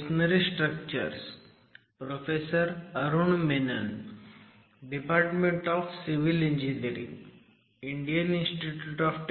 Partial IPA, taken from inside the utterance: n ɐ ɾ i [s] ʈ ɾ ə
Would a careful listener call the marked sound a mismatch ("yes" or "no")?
no